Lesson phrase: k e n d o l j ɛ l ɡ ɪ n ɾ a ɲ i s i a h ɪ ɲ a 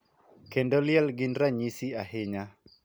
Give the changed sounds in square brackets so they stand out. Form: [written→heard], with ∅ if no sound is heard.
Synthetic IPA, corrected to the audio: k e n d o l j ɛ l ɡ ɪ n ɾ a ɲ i s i a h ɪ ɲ a